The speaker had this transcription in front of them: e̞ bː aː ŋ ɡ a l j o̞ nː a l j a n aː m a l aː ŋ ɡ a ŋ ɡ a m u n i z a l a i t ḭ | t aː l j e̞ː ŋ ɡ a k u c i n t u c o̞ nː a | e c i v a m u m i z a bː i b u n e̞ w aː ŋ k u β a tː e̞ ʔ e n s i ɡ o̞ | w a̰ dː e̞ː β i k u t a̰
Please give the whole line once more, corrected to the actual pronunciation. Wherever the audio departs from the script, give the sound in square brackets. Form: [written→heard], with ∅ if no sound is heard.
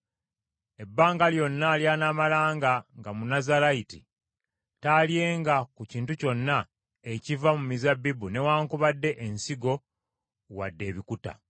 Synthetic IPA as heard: e̞ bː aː ŋ ɡ a l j o̞ nː a l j a n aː m a l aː ŋ ɡ a ŋ ɡ a m u n [i→a] z a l a i t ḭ | t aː l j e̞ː ŋ ɡ a k u c [i→iː] n t u c o̞ nː a | e c i v a m u m i z a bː i b u n e̞ w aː ŋ k u β a [tː→dː] e̞ ʔ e n s i ɡ o̞ | w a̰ dː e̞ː β i k u t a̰